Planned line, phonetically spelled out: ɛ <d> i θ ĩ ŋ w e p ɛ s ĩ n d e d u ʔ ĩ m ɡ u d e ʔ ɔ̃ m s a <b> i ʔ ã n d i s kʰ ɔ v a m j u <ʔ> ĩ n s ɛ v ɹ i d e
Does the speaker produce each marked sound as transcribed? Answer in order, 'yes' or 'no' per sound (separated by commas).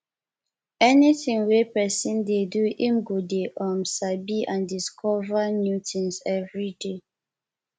no, yes, no